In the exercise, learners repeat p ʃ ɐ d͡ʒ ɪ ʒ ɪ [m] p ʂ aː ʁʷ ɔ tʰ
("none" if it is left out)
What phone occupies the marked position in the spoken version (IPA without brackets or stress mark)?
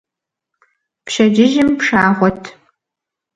m